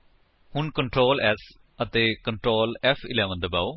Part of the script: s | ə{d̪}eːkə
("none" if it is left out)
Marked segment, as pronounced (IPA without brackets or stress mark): t̪